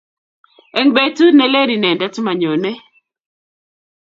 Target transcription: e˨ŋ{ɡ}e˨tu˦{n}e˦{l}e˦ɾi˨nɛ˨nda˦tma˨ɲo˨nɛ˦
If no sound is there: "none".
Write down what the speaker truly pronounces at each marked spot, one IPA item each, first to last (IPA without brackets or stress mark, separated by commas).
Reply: b, n, l